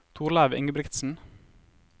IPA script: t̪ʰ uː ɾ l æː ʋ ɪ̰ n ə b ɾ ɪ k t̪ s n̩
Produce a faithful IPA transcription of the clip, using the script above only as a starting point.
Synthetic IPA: t̪ʰ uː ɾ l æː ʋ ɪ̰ ŋ ə b ɾ ɪ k t̪ s n̩